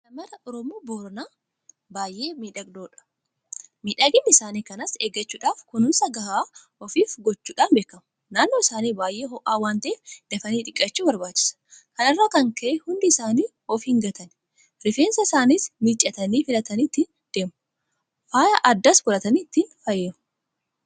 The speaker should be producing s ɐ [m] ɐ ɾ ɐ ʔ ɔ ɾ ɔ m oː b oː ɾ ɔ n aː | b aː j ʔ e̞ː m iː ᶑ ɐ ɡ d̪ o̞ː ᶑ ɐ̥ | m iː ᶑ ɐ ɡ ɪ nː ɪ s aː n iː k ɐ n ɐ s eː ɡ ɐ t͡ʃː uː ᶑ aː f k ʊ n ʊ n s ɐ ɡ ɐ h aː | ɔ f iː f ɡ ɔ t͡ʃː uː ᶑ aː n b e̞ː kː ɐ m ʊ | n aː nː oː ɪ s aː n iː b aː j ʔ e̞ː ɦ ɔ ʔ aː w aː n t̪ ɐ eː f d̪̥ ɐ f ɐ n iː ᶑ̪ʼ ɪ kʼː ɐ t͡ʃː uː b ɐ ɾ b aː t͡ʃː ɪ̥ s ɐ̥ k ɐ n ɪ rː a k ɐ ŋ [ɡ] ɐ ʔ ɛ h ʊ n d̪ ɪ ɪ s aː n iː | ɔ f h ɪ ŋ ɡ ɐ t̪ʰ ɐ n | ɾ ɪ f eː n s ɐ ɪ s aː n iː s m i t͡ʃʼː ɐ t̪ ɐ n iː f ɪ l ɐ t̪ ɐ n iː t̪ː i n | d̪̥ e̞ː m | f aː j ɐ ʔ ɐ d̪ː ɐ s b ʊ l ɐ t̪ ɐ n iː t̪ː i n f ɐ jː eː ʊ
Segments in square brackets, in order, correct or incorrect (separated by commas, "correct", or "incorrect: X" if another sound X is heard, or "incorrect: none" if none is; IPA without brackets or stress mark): correct, incorrect: k